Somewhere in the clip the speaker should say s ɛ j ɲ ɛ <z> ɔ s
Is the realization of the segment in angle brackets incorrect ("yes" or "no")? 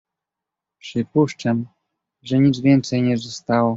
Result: no